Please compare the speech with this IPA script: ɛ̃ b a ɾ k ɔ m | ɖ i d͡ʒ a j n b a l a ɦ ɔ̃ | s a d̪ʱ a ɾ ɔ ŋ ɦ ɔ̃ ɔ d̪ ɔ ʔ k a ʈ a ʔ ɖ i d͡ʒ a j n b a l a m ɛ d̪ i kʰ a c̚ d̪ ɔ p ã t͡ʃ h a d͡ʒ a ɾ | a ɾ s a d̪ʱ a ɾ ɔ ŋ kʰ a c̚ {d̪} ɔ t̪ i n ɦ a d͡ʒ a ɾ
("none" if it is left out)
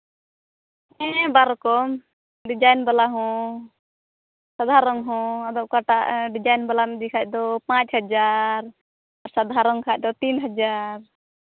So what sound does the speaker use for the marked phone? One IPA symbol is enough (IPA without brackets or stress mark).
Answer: d̪